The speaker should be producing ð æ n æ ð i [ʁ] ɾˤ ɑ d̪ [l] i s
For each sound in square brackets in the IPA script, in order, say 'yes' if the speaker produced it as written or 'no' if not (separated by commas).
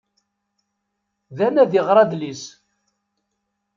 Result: yes, yes